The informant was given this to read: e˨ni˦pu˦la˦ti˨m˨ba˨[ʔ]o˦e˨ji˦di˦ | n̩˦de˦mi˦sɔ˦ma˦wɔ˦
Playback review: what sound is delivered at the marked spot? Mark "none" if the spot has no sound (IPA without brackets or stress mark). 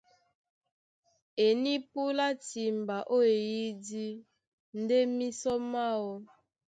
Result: ʔ